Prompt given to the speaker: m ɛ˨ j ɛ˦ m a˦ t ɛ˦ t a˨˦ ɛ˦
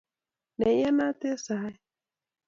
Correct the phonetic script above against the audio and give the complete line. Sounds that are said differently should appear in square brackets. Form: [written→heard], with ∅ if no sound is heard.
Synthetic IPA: [m→n] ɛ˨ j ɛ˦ [m→n] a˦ t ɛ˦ [t→s] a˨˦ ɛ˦

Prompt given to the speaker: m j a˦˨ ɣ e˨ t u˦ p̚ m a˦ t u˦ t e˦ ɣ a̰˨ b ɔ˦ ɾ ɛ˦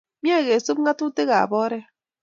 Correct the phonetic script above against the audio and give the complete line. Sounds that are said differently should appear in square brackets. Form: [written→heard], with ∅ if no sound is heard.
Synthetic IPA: m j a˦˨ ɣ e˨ [t→s] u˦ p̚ [m→ŋ] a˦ t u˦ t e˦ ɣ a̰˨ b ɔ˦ ɾ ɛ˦

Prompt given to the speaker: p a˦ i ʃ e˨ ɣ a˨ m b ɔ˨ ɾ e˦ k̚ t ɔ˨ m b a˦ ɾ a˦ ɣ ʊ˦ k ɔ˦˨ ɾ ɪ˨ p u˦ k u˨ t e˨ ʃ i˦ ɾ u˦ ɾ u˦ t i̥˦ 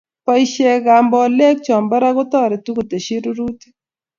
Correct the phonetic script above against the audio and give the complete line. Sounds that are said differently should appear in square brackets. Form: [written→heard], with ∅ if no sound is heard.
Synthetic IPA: p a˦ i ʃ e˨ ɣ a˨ m b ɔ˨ [ɾ→l] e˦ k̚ [t→t͡ʃ] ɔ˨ m b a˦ ɾ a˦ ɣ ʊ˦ [k→t] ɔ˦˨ ɾ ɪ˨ [p→t] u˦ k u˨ t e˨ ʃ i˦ ɾ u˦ ɾ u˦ t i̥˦

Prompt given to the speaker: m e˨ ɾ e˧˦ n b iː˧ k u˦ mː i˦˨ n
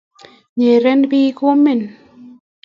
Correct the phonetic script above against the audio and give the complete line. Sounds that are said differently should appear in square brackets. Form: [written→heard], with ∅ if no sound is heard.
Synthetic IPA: [m→ɲ] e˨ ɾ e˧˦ n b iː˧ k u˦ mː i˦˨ n

